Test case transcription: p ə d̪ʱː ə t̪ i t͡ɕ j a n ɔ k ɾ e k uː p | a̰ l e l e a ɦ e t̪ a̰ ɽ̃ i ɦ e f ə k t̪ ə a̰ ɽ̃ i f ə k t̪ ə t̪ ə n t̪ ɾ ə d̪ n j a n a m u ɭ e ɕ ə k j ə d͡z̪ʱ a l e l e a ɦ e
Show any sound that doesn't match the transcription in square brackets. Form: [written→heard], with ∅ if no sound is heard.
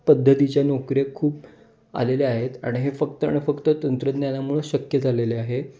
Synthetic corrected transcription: p ə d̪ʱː ə t̪ i t͡ɕ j a n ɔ k ɾ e [k→kʰ] uː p | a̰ l e l e a ɦ e t̪ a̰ ɽ̃ i ɦ e f ə k t̪ ə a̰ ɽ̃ i f ə k t̪ ə t̪ ə n t̪ ɾ ə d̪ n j a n a m u ɭ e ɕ ə k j ə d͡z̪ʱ a l e l e a ɦ e